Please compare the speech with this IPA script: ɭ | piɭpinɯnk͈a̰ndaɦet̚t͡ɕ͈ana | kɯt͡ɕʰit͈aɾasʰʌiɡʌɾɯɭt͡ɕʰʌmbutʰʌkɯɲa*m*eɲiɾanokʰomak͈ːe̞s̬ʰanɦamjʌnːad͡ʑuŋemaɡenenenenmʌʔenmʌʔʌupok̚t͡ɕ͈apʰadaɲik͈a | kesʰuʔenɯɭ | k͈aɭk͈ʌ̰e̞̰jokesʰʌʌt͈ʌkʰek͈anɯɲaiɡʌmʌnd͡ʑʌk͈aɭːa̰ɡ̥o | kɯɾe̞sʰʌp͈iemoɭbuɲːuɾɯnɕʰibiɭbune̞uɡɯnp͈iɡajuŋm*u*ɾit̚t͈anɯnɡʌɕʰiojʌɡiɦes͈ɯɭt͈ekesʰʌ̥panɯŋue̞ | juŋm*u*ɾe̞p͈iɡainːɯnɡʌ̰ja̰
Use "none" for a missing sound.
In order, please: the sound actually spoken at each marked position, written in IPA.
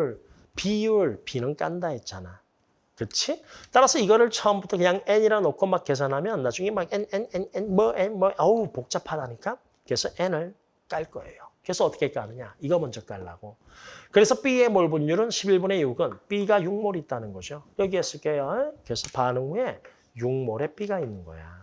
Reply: ŋ, o, o

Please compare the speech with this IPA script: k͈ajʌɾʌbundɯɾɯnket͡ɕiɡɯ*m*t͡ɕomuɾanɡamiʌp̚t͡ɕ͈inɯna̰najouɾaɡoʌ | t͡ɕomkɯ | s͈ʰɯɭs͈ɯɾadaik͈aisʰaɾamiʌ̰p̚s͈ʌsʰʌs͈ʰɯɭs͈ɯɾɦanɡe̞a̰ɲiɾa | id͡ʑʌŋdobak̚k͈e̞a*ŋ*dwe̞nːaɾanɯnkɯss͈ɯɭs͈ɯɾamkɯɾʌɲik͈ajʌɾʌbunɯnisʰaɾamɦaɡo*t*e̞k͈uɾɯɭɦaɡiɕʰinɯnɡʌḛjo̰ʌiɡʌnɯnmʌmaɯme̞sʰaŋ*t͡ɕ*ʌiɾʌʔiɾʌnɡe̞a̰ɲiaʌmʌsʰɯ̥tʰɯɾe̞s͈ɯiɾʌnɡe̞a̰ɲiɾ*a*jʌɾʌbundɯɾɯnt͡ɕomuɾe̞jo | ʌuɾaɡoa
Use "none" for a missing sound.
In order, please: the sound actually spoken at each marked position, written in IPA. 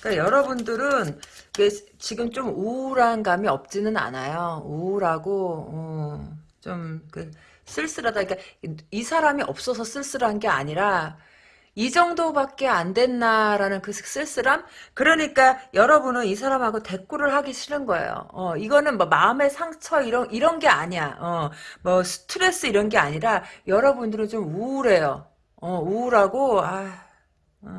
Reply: m, n, t, t͡ɕʰ, a

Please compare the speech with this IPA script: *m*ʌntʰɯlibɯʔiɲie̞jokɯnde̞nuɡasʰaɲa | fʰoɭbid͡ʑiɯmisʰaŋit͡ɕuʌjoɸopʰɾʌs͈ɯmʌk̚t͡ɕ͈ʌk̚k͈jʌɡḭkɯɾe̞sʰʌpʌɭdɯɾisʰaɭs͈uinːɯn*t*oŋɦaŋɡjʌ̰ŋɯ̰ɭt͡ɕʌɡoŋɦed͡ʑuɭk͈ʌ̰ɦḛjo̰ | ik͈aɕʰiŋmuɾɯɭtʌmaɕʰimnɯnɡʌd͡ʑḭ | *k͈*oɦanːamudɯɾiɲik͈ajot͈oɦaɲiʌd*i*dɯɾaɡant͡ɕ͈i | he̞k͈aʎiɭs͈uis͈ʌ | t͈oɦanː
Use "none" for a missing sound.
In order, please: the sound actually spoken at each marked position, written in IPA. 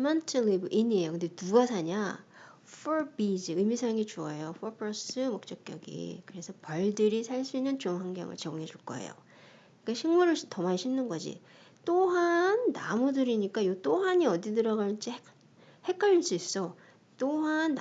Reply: m, t͡ɕ, t͈, i

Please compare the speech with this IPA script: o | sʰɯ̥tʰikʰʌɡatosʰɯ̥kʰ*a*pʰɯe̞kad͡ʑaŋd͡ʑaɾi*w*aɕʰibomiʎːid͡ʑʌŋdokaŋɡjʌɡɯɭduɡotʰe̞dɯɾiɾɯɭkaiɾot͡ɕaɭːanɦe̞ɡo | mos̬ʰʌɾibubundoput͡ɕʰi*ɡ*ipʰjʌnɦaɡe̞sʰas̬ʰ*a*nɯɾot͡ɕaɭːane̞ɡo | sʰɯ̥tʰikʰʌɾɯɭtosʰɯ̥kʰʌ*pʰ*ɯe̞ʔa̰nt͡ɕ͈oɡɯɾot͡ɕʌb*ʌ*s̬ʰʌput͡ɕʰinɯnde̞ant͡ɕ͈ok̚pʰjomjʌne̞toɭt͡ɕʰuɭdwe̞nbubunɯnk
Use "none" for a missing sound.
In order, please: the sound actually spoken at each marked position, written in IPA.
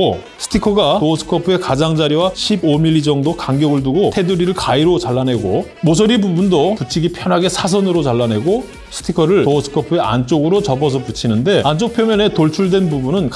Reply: ʌ, w, ɡ, ʌ, pʰ, ʌ

